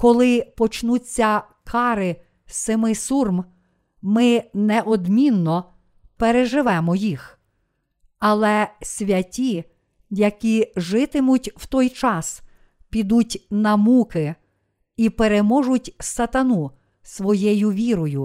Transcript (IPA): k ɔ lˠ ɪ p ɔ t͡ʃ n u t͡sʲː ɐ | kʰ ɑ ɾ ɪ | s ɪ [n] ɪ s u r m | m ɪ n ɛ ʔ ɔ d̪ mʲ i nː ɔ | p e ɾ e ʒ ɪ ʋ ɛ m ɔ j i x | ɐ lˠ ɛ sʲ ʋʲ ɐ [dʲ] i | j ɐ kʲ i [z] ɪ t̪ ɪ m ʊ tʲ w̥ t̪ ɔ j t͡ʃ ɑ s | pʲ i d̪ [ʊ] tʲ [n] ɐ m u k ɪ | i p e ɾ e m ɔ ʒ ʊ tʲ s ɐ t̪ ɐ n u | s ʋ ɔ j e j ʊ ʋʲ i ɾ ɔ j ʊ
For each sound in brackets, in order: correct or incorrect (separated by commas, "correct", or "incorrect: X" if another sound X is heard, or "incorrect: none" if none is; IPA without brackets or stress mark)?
incorrect: m, incorrect: tʲ, incorrect: ʒ, incorrect: u, correct